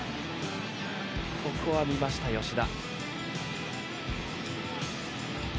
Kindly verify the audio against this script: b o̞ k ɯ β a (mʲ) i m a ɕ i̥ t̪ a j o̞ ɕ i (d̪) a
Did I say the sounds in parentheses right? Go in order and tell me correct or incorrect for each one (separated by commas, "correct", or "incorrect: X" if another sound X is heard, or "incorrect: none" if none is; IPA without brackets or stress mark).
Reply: correct, correct